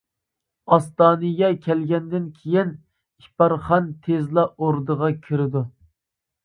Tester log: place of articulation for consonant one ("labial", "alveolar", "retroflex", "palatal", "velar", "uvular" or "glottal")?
alveolar